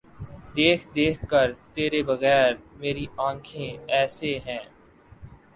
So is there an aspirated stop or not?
yes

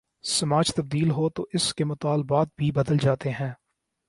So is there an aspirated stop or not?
no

